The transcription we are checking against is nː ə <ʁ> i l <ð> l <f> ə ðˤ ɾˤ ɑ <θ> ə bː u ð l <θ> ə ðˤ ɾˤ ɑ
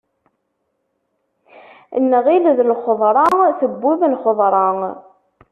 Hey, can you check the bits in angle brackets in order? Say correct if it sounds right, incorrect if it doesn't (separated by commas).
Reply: correct, correct, incorrect, correct, incorrect